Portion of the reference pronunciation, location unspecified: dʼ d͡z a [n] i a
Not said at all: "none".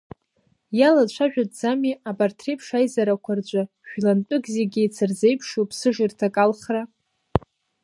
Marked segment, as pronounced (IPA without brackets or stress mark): m